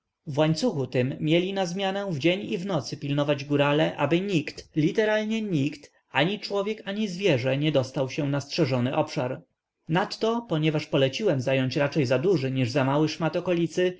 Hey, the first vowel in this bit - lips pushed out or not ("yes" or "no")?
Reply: no